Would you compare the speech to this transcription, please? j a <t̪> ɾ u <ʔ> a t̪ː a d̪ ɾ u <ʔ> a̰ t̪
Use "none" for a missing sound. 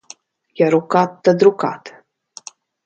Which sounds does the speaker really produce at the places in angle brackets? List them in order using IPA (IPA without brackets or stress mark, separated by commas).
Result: none, k, k